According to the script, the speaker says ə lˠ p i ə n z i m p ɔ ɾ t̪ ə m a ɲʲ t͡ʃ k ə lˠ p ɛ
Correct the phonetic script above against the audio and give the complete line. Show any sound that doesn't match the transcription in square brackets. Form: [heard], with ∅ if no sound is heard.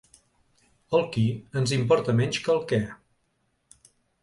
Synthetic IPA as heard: ə lˠ [k] i ə n z i m p ɔ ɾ t̪ ə m [ɛ] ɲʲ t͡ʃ k ə lˠ [k] ɛ